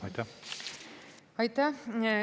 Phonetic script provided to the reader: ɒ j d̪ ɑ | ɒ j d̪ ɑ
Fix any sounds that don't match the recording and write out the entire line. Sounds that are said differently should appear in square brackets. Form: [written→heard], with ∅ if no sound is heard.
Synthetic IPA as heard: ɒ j [d̪→t̪] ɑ | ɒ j [d̪→t̪] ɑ